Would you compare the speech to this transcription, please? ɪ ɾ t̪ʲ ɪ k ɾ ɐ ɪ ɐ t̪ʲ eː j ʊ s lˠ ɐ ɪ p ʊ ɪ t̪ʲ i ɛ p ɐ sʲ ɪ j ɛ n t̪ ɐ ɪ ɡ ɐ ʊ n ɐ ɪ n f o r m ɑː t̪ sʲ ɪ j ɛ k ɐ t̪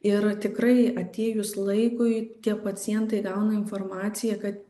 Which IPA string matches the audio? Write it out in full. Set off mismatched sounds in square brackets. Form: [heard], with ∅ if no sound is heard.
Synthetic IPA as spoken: ɪ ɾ t̪ʲ ɪ k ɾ ɐ ɪ ɐ t̪ʲ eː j ʊ s lˠ ɐ ɪ [k] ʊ ɪ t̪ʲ i ɛ p ɐ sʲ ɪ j ɛ n t̪ ɐ ɪ ɡ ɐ ʊ n ɐ ɪ n f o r m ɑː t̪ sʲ ɪ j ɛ k ɐ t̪